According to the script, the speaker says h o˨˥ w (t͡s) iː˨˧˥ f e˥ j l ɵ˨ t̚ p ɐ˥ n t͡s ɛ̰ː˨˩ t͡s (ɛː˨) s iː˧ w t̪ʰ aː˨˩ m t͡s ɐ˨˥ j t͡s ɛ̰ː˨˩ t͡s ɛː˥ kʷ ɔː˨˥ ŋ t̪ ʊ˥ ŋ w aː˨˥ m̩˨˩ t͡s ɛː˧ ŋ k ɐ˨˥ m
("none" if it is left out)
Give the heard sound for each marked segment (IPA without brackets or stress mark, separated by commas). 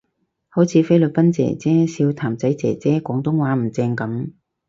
t͡sʰ, ɛː˥